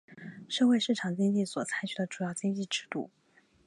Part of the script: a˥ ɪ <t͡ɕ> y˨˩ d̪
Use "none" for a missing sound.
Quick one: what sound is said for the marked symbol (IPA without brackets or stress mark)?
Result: t͡ɕʰ